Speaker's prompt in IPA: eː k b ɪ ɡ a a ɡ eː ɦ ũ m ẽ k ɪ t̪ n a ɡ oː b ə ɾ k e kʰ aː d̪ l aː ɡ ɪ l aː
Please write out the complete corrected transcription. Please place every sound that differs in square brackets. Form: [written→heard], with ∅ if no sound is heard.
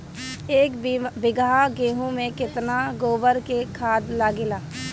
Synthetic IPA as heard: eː k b ɪ ɡ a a ɡ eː ɦ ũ m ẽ k ɪ t̪ n a ɡ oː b ə ɾ k e kʰ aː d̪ l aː ɡ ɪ l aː